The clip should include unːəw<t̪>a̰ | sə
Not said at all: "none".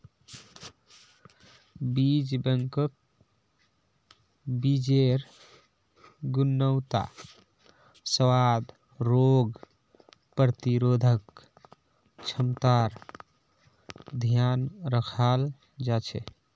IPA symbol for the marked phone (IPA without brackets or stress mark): t̪